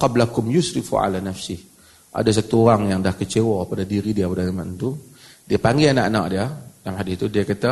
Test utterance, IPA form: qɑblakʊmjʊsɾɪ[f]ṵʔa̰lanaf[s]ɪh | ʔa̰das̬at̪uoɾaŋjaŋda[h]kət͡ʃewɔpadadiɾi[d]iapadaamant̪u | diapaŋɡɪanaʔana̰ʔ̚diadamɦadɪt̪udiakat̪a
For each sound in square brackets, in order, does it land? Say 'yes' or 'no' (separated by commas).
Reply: yes, yes, yes, yes